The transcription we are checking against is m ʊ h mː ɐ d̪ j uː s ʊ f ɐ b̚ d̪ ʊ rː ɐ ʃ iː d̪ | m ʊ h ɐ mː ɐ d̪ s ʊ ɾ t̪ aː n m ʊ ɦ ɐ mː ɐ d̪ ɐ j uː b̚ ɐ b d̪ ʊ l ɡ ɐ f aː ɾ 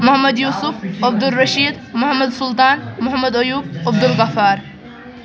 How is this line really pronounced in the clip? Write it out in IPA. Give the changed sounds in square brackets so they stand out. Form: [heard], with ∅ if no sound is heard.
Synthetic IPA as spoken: m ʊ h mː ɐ d̪ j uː s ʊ f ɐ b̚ d̪ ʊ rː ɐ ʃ iː d̪ | m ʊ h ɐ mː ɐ d̪ s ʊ [l] t̪ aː n m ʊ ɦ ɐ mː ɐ d̪ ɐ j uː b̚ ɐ b d̪ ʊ l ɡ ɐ f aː ɾ